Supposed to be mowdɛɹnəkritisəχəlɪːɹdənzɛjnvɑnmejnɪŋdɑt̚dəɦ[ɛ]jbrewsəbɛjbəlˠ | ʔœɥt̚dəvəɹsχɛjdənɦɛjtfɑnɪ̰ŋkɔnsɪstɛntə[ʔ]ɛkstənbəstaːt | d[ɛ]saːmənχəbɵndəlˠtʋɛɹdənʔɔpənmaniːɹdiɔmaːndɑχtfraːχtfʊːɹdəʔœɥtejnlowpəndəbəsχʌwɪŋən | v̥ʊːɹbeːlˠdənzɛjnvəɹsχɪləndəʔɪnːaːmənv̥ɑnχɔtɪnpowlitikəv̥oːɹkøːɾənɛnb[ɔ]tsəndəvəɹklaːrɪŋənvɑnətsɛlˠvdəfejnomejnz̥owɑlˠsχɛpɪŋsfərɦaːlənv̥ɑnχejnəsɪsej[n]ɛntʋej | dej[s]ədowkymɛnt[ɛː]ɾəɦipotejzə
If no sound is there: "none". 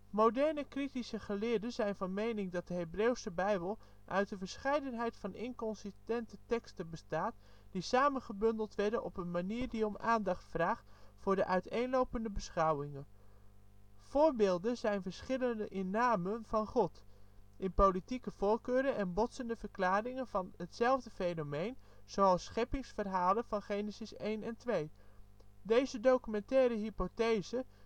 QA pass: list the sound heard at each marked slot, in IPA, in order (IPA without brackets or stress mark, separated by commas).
e, t, i, ɔ, n, z, ɛː